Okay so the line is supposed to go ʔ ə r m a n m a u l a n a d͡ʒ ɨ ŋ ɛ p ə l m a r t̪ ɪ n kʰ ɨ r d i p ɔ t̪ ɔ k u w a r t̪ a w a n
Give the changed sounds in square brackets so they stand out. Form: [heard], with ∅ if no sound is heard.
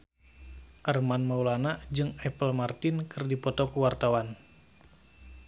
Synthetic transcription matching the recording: ʔ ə r m a n m a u l a n a d͡ʒ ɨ ŋ ɛ p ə l m a r t̪ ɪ n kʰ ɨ r d i p ɔ t̪ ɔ k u w a r t̪ a w a n